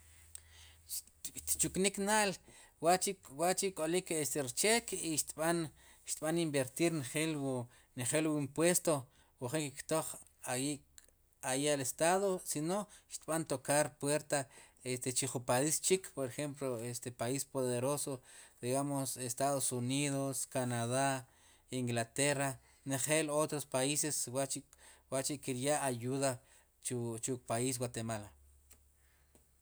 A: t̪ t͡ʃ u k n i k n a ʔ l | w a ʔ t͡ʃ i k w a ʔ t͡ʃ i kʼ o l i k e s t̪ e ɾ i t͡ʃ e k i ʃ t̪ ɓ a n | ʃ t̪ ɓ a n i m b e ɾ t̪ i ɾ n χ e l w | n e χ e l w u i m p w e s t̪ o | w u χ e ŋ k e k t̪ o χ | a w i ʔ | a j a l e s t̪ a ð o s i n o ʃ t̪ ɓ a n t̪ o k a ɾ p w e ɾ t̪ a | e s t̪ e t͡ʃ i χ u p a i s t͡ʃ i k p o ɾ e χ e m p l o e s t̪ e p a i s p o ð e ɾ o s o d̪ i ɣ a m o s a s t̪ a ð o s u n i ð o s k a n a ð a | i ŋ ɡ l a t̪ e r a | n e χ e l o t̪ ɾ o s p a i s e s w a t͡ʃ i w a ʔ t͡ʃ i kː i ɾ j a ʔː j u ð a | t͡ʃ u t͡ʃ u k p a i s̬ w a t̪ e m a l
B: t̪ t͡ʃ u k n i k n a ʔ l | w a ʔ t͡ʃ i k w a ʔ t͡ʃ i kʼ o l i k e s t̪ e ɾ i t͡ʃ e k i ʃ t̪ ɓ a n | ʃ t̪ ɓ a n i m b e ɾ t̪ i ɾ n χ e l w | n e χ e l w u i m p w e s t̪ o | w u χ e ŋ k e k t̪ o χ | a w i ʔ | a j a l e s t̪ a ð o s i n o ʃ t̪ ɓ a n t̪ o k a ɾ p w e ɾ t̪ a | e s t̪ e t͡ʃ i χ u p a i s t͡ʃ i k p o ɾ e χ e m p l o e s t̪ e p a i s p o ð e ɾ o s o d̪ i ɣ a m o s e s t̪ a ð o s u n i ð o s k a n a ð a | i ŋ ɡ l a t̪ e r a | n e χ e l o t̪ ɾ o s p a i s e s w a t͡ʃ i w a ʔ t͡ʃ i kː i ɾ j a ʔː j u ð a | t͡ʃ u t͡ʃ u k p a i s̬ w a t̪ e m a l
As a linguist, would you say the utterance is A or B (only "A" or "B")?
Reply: B